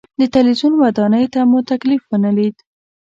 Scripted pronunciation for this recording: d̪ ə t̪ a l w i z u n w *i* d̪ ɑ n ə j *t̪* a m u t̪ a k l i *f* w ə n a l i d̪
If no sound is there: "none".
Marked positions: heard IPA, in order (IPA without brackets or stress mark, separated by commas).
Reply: a, t̪, f